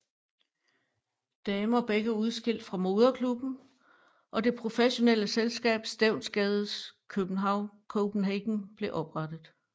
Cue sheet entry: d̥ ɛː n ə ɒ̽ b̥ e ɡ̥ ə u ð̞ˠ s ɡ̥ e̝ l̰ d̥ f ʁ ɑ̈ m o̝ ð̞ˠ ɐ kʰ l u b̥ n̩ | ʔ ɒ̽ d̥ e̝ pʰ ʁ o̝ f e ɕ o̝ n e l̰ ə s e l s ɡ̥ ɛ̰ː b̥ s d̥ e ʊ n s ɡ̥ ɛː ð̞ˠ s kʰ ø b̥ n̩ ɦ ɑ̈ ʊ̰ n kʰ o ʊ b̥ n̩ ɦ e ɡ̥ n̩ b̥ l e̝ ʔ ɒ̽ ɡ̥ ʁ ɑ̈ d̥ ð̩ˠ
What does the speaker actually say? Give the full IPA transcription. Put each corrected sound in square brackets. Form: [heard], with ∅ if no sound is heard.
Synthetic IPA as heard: d̥ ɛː [m] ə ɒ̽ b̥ e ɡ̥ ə u ð̞ˠ s ɡ̥ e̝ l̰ d̥ f ʁ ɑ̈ m o̝ ð̞ˠ ɐ kʰ l u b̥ n̩ | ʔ ɒ̽ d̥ e̝ pʰ ʁ o̝ f e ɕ o̝ n e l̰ ə s e l s ɡ̥ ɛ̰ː b̥ s d̥ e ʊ n s ɡ̥ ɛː ð̞ˠ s kʰ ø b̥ n̩ ɦ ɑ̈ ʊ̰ n kʰ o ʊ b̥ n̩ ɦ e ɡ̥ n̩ b̥ l e̝ ʔ ɒ̽ [b̥] ʁ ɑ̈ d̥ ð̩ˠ